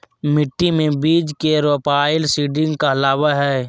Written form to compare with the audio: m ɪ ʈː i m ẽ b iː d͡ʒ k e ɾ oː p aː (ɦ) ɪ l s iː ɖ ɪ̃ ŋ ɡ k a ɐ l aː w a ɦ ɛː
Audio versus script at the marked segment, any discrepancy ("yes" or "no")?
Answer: yes